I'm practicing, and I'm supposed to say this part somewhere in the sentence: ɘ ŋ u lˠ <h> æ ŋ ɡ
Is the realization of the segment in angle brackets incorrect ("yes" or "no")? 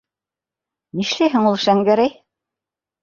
yes